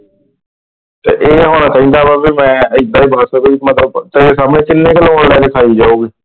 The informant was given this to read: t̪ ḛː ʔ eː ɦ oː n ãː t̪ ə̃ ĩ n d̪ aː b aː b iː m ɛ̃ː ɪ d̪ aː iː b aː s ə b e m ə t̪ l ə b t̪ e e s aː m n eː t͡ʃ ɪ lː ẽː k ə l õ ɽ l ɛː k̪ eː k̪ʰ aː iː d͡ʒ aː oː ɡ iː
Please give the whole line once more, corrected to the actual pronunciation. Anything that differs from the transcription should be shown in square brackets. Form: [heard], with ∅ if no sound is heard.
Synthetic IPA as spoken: t̪ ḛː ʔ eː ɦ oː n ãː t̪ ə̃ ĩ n d̪ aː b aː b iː m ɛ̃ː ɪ d̪ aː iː b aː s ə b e m ə t̪ l ə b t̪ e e s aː m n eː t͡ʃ ɪ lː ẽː k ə l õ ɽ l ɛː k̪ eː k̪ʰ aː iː d͡ʒ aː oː ɡ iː